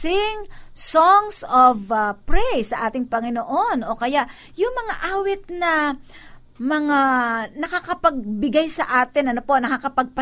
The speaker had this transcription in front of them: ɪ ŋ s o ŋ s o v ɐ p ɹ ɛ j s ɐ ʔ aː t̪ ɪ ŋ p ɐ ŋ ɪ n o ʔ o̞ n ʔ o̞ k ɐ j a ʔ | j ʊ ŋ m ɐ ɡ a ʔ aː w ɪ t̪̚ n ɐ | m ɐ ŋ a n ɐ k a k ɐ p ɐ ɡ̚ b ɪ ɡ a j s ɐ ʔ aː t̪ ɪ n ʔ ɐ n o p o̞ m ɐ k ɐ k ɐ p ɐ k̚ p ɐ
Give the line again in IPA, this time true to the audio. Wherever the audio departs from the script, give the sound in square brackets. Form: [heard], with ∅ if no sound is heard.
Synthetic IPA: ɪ ŋ s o ŋ s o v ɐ p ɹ ɛ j s ɐ ʔ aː t̪ ɪ ŋ p ɐ ŋ ɪ n o ʔ o̞ n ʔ o̞ k ɐ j a ʔ | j ʊ ŋ m ɐ [ŋ] a ʔ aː w ɪ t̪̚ n ɐ | m ɐ ŋ a n ɐ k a k ɐ p ɐ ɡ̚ b ɪ ɡ a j s ɐ ʔ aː t̪ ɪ n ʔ ɐ n o p o̞ [n] ɐ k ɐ k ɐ p ɐ [ɡ̚] p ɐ